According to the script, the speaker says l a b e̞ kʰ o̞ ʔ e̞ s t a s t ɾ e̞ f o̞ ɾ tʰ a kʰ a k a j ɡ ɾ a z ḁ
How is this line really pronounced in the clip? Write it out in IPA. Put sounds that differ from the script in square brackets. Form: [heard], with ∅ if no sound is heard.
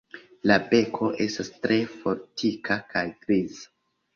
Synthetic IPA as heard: l a b e̞ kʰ o̞ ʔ e̞ s t a s t ɾ e̞ f o̞ ɾ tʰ [i] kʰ a k a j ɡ ɾ [i] z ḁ